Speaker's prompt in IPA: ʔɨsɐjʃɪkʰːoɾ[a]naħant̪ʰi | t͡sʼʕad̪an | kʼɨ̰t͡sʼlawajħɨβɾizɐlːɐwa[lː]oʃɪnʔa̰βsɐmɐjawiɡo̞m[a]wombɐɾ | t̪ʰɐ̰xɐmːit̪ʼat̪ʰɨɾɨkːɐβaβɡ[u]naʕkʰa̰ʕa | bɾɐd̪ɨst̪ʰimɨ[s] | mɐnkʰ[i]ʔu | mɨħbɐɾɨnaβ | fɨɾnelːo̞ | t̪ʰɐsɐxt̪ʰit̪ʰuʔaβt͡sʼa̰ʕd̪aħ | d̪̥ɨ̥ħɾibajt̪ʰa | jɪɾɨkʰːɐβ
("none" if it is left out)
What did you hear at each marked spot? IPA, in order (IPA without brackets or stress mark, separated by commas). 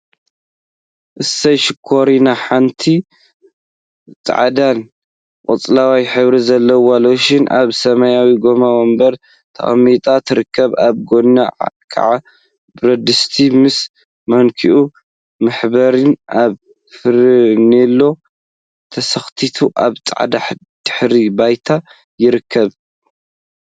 i, l, a, o, s, i